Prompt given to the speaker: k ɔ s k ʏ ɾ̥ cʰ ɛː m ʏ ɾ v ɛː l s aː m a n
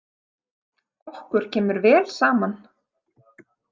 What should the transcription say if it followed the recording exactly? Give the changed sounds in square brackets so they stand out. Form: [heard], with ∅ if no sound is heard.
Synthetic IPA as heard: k ɔ [h] k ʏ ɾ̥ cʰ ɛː m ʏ ɾ v ɛː l s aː m a n